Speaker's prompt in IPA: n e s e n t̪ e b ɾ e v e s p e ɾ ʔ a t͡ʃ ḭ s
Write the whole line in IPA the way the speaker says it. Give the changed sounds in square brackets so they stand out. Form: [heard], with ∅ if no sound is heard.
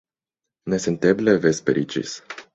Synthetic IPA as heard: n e s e n t̪ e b [l] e v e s p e ɾ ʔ [i] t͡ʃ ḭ s